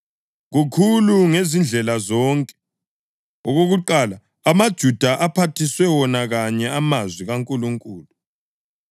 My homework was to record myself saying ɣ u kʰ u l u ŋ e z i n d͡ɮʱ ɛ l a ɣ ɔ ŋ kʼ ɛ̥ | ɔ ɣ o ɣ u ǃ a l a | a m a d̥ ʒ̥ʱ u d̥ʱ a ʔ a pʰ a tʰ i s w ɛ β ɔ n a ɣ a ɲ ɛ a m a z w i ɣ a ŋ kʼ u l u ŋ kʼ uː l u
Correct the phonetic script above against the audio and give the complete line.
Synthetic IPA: ɣ u kʰ u l u ŋ e z i n d͡ɮʱ ɛ l a z ɔ ŋ kʼ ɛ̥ | ɔ ɣ o ɣ u ǃ a l a | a m a d̥ ʒ̥ʱ u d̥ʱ a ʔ a pʰ a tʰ i s w ɛ w ɔ n a ɣ a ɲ ɛ a m a z w i ɣ a ŋ kʼ u l u ŋ kʼ uː l u